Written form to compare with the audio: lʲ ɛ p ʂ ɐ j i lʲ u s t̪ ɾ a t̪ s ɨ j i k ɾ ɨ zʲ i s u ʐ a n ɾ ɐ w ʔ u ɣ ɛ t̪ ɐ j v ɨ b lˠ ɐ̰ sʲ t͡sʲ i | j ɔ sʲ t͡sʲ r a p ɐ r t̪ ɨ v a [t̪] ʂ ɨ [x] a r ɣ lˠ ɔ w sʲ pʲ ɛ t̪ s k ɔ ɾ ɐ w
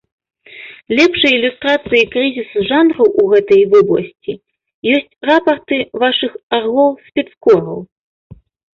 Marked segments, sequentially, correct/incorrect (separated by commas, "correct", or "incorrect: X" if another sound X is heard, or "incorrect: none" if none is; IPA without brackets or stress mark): incorrect: none, correct